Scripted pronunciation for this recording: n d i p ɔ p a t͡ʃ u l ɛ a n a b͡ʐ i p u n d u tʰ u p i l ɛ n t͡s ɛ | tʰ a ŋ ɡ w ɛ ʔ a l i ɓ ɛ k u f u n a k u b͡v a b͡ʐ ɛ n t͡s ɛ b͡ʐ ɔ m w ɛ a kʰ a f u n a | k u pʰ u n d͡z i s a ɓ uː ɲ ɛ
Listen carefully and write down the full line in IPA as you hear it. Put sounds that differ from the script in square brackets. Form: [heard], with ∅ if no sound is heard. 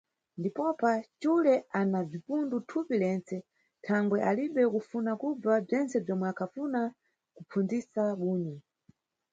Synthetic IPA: n d i p ɔ p a t͡ʃ u l ɛ a n a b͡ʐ i p u n d u tʰ u p i l ɛ n t͡s ɛ | tʰ a ŋ ɡ w ɛ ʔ a l i ɓ ɛ k u f u n a k u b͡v a b͡ʐ ɛ n t͡s ɛ b͡ʐ ɔ m w ɛ a kʰ a f u n a | k u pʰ u n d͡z i s a ɓ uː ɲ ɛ